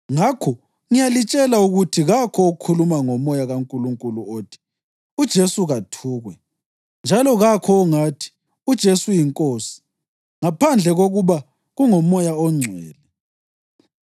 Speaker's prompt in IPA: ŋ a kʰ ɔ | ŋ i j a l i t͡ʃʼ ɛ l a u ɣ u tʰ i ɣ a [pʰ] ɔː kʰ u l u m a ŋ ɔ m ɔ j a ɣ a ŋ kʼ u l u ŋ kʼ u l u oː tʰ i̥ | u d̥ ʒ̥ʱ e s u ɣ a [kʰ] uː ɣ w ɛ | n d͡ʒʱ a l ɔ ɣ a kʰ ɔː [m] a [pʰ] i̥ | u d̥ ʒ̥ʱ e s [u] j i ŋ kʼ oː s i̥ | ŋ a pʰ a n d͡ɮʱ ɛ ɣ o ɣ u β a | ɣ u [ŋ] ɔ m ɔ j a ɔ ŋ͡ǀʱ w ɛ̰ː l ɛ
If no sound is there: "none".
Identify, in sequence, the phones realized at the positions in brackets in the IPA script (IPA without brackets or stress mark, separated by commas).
kʰ, tʰ, ŋ, tʰ, u, ŋ